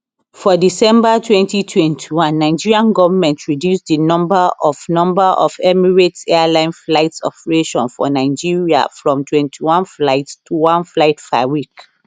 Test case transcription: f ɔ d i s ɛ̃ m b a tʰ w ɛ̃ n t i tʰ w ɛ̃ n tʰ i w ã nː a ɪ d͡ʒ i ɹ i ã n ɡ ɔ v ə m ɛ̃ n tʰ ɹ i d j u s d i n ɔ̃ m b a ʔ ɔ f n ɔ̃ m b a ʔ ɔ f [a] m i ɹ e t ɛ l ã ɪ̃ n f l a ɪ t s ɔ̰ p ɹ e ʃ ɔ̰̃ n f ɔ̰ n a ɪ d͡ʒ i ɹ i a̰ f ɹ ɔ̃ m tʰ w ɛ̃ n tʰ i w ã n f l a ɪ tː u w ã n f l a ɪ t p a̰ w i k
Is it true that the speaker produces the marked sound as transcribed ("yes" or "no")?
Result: no